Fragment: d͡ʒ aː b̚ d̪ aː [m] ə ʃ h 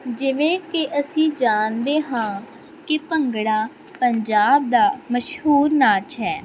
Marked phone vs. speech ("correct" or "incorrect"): correct